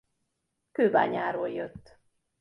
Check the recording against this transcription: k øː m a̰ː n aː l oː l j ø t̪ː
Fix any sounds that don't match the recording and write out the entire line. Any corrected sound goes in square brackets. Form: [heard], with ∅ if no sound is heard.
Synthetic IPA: k øː [b] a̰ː [ɲ] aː [ɾ] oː l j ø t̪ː